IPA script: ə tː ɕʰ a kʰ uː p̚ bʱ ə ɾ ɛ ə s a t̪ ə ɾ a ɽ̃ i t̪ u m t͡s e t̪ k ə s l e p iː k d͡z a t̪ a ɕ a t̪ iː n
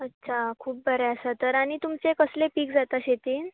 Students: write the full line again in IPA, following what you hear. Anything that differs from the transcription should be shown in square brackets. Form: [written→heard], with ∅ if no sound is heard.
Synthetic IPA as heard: ə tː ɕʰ a kʰ uː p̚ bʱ ə ɾ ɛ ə s a t̪ ə ɾ a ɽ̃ i t̪ u m t͡s e [t̪→∅] k ə s l e p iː k d͡z a t̪ a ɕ [a→e] t̪ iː n

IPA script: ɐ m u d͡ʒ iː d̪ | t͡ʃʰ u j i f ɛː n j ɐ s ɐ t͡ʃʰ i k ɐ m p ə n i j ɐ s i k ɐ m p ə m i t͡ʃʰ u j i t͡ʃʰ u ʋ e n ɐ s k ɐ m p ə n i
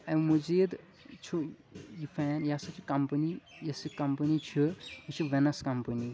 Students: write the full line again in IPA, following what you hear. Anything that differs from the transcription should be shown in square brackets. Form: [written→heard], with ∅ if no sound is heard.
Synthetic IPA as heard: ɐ m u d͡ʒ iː d̪ | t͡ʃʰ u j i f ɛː n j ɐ s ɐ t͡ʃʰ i k ɐ m p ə n i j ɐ s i k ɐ m p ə [m→n] i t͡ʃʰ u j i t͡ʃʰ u ʋ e n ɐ s k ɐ m p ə n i

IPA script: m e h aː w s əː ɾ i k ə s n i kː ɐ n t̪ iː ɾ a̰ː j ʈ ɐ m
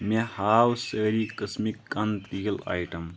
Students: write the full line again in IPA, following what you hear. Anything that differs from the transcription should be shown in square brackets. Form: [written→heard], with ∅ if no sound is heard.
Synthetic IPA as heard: m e h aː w s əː ɾ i k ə s [n→m] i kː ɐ n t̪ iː [ɾ→l] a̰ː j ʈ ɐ m

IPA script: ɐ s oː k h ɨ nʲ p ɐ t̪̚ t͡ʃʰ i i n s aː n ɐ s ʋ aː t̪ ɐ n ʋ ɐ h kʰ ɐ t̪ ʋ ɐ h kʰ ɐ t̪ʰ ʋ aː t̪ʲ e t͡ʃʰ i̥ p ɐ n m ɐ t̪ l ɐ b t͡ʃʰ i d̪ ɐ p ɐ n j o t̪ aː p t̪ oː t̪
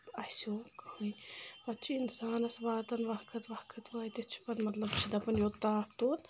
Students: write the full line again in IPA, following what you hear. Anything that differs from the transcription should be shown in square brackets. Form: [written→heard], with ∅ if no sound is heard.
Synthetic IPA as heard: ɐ s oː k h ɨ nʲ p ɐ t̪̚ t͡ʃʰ i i n s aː n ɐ s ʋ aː t̪ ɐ n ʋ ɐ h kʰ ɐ t̪ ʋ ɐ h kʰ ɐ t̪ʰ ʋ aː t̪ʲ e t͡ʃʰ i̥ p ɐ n m ɐ t̪ l ɐ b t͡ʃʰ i d̪ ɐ p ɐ n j o t̪ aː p t̪ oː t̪

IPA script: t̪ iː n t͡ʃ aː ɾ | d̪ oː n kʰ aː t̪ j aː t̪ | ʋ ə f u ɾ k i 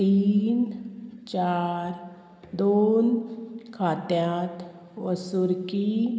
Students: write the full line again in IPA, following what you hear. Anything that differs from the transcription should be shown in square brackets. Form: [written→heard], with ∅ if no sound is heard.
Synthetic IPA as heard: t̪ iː n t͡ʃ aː ɾ | d̪ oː n kʰ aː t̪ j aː t̪ | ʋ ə [f→s] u ɾ k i

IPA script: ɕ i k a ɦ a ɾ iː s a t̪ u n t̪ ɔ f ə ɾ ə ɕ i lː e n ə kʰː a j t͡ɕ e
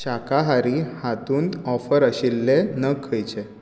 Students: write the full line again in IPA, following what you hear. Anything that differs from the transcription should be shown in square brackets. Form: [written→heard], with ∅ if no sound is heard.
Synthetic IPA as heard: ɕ [i→a] k a ɦ a ɾ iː [s→h] a t̪ [u→uː] n t̪ ɔ f ə ɾ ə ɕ i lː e n ə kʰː [a→ə] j t͡ɕ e

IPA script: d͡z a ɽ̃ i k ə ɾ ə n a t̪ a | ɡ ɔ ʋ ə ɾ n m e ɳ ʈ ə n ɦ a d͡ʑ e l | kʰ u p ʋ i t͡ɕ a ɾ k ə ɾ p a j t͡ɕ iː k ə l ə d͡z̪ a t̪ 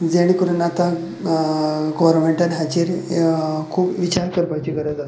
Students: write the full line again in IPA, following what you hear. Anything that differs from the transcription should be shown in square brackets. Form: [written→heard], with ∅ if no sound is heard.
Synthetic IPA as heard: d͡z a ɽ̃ i k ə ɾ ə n a t̪ a | ɡ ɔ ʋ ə ɾ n m e ɳ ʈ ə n ɦ a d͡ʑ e [l→ɾ] | kʰ [u→uː] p ʋ i t͡ɕ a ɾ k ə ɾ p a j t͡ɕ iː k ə [l→ɾ] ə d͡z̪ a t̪

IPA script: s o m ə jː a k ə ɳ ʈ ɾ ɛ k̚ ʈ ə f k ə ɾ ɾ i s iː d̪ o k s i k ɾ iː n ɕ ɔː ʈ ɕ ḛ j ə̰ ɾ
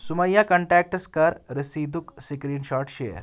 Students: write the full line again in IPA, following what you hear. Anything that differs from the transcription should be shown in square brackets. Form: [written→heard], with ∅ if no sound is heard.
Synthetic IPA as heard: s [o→u] m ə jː a k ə ɳ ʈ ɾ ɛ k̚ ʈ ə [f→s] k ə ɾ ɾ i s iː d̪ [o→u] k s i k ɾ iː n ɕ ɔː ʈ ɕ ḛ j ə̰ ɾ

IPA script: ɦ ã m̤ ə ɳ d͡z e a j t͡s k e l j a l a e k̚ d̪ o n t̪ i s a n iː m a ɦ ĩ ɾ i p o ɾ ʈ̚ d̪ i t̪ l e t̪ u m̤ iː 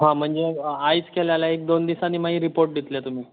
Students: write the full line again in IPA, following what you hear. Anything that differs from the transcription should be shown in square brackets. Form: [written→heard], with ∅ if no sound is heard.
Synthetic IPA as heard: ɦ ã m̤ ə ɳ d͡z e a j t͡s k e l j a l a e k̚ d̪ o n [t̪→d̪] i s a n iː m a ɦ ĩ ɾ i p o ɾ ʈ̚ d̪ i t̪ l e t̪ u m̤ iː

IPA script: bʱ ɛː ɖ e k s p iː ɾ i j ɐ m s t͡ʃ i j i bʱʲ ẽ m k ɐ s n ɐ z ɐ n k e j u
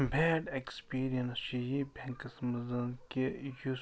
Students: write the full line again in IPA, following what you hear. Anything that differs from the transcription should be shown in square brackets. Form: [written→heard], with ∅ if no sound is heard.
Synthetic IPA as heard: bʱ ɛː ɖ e k s p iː ɾ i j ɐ [m→n] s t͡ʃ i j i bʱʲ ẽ [m→ŋ] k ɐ s [n→m] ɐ z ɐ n k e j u

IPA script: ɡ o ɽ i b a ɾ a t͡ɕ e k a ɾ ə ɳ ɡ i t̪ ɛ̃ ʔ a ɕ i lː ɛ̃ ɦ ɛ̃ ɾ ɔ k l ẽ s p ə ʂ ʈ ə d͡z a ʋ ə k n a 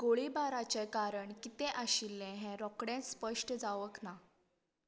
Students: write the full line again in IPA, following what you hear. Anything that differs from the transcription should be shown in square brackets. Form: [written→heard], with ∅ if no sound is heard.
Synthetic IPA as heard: ɡ o [ɽ→ɭ] i b a ɾ a t͡ɕ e k a ɾ ə ɳ [ɡ→k] i t̪ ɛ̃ ʔ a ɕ i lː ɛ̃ ɦ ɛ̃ ɾ ɔ k [l→ɽ] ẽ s p ə ʂ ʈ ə d͡z a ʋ ə k n a

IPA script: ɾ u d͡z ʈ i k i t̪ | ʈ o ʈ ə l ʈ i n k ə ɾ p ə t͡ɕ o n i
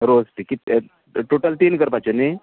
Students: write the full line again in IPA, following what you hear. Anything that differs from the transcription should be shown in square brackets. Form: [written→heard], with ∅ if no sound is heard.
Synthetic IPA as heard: ɾ [u→o] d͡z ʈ i k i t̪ | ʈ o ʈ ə l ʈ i n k ə ɾ p [ə→a] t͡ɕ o n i

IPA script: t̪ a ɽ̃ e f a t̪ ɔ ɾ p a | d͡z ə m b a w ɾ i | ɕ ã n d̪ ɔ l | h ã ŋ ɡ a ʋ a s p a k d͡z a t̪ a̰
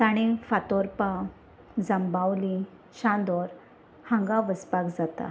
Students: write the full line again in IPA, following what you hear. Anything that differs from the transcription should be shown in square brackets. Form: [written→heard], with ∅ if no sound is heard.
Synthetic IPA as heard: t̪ a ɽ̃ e f a t̪ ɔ ɾ p a | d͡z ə m b a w [ɾ→l] i | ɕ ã n d̪ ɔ [l→ɾ] | h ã ŋ ɡ a ʋ [a→ə] s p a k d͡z a t̪ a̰

